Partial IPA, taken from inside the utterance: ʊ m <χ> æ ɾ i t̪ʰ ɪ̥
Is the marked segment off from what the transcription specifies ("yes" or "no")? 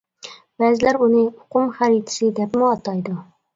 no